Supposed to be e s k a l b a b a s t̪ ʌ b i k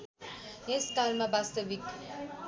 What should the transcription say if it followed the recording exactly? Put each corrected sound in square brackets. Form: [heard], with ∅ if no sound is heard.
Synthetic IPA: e s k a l [m] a b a s t̪ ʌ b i k

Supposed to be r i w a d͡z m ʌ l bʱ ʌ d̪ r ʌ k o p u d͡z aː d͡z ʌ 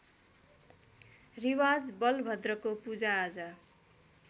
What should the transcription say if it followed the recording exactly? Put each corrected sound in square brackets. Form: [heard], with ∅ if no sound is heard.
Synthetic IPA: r i w a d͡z [b] ʌ l bʱ ʌ d̪ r ʌ k o p u d͡z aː d͡z ʌ

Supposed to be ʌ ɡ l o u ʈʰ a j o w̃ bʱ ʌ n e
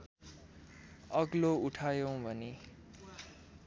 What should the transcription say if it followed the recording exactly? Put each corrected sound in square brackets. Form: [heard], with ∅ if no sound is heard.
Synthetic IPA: ʌ ɡ l o u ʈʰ a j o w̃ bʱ ʌ n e

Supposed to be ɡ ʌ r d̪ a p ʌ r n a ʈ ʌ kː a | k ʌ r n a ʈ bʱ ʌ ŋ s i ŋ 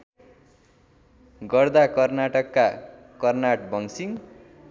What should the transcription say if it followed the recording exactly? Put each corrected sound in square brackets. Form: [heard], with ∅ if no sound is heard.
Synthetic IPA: ɡ ʌ r d̪ a [k] ʌ r n a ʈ ʌ kː a | k ʌ r n a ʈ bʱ ʌ ŋ s i ŋ

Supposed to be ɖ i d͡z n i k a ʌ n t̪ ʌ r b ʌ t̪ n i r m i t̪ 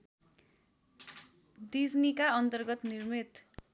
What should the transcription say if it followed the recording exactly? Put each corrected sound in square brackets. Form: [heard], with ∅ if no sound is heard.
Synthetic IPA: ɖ i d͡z n i k a ʌ n t̪ ʌ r [ɡ] ʌ t̪ n i r m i t̪

